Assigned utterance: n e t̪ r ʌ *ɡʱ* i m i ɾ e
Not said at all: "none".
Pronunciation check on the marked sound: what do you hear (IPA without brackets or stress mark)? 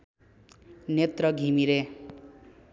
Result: ɡʱ